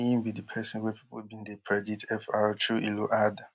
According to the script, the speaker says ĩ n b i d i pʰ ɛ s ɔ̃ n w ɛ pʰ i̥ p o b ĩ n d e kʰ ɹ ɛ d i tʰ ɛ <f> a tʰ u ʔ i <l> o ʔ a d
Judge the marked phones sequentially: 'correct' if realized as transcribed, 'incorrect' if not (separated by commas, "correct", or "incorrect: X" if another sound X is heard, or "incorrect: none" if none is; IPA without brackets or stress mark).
correct, correct